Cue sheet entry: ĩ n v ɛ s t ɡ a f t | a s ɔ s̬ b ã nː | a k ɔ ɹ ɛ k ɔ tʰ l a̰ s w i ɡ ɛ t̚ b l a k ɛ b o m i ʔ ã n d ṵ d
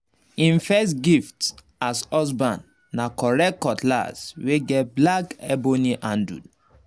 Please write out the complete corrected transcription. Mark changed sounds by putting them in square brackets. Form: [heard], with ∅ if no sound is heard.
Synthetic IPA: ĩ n [f] ɛ s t ɡ [i] f t | a s ɔ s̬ b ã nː | a k ɔ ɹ ɛ k ɔ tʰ l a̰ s w [e] ɡ ɛ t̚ b l a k ɛ b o [n] i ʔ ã n d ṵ d